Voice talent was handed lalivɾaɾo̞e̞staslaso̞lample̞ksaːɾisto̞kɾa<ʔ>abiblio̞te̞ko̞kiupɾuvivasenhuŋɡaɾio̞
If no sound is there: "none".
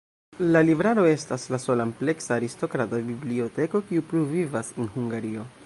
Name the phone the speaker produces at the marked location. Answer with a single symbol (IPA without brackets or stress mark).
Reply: t